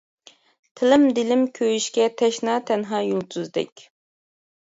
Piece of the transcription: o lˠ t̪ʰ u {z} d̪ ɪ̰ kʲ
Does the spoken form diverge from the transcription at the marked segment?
no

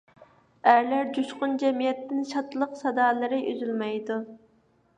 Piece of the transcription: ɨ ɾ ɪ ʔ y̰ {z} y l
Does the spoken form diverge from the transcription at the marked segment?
no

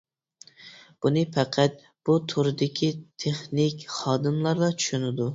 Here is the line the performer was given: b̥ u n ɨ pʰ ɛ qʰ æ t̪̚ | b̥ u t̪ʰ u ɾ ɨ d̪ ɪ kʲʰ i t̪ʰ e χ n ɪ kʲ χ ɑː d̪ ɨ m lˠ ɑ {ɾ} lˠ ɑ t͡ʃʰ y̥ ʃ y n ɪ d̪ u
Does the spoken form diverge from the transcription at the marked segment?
no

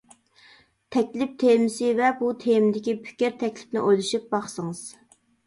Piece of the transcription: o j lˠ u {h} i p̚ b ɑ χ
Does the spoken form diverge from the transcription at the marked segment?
yes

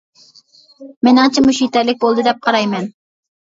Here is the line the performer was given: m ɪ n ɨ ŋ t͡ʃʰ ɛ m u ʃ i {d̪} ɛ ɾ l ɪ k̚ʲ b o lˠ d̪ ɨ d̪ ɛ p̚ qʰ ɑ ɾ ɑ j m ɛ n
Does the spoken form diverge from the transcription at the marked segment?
yes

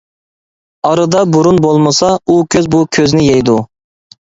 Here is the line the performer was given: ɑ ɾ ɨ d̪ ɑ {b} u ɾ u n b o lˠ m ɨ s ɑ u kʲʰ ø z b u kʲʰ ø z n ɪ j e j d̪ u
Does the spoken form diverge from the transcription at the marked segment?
no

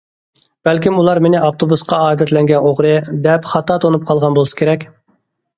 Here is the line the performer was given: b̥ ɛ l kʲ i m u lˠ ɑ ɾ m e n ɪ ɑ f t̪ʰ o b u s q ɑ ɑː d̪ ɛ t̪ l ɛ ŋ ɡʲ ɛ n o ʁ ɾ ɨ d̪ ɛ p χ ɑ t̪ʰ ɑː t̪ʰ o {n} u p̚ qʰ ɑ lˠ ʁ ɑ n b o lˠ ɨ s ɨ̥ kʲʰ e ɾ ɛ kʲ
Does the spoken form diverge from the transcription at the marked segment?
no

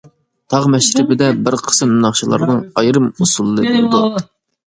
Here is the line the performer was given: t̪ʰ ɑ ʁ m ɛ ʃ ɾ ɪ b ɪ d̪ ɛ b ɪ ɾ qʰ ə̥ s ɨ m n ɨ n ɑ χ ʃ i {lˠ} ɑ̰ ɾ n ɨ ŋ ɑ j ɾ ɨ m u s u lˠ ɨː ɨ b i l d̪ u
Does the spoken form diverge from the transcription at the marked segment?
no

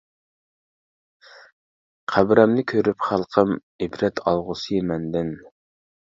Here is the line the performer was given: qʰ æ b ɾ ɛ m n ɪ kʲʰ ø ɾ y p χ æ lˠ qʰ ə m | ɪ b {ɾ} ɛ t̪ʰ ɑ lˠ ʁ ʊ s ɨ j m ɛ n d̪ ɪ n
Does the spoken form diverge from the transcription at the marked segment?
no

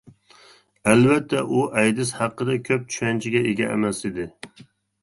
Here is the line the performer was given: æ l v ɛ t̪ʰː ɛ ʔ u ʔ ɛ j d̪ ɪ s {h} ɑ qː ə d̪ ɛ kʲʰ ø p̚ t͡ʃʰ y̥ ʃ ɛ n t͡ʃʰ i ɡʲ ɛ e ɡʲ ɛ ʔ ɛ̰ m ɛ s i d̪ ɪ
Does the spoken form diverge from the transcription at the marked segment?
no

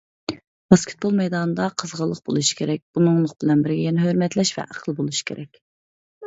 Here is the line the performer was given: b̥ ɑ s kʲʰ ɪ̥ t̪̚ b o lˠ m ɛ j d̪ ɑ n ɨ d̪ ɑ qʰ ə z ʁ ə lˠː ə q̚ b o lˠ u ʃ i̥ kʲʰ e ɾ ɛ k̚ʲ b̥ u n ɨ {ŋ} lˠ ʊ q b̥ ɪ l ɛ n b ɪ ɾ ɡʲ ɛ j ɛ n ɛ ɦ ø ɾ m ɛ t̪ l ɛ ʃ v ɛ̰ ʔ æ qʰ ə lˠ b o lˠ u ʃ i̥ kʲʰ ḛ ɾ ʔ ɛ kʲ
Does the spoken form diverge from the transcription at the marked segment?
no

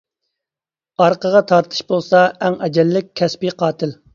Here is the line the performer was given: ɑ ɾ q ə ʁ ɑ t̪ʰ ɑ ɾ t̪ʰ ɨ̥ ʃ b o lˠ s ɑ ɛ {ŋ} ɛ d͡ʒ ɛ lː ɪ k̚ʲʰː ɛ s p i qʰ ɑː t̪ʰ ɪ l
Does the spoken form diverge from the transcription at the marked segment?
no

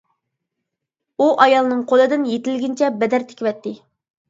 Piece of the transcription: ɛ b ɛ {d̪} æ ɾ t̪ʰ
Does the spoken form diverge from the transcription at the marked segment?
no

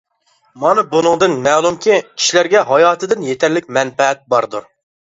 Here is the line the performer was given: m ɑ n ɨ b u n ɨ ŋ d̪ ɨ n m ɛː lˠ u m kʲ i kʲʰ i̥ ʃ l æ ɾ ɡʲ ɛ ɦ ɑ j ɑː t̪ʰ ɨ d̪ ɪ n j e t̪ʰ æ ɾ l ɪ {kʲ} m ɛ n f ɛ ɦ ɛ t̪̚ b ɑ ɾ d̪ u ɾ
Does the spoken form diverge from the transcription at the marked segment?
no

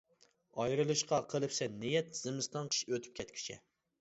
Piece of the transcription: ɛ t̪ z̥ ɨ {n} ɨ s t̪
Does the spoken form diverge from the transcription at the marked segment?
yes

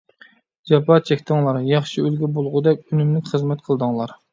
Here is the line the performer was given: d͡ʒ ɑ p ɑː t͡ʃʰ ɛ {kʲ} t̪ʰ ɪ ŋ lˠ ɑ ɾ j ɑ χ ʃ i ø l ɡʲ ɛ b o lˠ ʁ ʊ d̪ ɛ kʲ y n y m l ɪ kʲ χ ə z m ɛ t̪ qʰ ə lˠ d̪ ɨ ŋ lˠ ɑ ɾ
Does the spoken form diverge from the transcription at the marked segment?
no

